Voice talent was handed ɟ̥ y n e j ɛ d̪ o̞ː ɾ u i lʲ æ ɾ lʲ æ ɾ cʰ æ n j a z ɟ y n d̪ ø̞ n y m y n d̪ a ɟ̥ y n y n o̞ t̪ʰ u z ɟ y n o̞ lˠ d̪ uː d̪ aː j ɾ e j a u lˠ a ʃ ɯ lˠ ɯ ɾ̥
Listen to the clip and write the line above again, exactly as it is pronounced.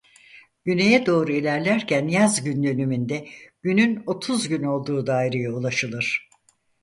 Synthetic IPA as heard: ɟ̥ y n e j ɛ d̪ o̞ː ɾ u i lʲ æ ɾ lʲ æ ɾ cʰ æ n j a z ɟ y n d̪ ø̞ n y m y n d̪ ɛ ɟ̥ y n y n o̞ t̪ʰ u z ɟ y n o̞ lˠ d̪ uː d̪ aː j ɾ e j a u lˠ a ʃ ɯ lˠ ɯ ɾ̥